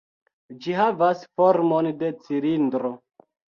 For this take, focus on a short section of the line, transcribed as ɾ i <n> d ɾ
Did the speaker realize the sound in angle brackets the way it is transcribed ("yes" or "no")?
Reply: yes